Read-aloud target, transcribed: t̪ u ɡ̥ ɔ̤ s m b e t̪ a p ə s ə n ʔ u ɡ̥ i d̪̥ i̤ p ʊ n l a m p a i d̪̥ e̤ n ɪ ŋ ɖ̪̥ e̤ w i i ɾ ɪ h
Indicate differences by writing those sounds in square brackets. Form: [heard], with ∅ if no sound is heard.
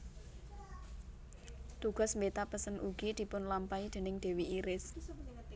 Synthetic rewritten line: t̪ u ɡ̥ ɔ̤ s m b e t̪ a p ə s ə n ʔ u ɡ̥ i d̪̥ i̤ p ʊ n l a m p a i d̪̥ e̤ n ɪ ŋ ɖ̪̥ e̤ w i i ɾ ɪ [s]